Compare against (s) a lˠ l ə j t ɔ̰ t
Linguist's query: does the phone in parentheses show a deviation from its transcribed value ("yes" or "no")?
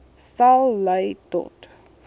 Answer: no